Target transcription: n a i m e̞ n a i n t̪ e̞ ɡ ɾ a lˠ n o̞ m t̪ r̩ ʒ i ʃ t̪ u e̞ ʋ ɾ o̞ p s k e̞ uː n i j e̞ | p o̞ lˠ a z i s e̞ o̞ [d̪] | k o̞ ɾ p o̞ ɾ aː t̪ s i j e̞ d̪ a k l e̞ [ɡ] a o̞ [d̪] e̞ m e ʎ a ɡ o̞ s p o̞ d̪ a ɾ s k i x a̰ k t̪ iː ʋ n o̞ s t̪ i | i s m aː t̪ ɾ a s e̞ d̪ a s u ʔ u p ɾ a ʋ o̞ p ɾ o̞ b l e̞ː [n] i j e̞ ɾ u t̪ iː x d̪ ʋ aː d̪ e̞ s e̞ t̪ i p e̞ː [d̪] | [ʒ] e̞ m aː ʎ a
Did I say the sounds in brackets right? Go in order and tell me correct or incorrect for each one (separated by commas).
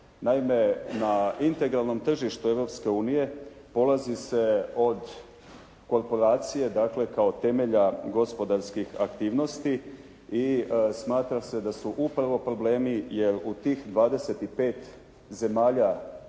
correct, incorrect, incorrect, incorrect, incorrect, incorrect